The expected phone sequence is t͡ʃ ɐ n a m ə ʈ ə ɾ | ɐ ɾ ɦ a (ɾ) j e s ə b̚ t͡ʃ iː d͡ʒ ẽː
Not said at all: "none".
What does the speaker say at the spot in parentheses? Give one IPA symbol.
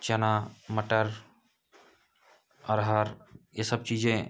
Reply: ɾ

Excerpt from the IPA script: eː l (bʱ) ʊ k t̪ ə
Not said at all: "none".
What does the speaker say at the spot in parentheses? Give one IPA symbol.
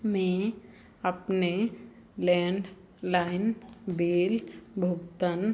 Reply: bʱ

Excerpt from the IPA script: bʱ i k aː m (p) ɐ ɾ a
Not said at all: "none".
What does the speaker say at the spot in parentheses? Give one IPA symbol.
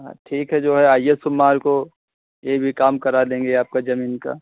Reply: k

